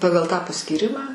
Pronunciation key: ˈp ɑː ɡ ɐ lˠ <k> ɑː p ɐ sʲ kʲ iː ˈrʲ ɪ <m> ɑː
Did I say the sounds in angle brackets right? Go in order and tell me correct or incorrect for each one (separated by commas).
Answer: incorrect, correct